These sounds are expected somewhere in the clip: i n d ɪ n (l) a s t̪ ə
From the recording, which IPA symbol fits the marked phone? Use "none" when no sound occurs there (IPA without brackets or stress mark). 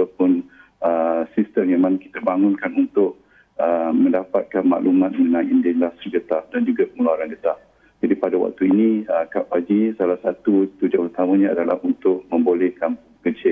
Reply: l